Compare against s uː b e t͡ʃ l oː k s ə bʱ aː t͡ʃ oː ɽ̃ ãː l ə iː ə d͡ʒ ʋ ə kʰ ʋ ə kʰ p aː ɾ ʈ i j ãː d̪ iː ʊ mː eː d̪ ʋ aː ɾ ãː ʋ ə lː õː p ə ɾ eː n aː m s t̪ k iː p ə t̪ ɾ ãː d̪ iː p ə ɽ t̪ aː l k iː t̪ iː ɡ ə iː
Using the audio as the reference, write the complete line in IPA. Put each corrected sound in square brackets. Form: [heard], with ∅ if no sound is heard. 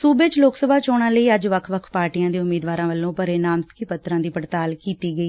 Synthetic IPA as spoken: s uː b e t͡ʃ l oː k s ə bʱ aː t͡ʃ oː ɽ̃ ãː l ə iː ə d͡ʒ ʋ ə kʰ ʋ ə kʰ p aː ɾ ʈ i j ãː d̪ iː ʊ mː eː d̪ ʋ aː ɾ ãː ʋ ə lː õː p ə ɾ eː n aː m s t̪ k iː p ə t̪ ɾ ãː d̪ iː p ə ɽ t̪ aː l k iː t̪ iː ɡ ə iː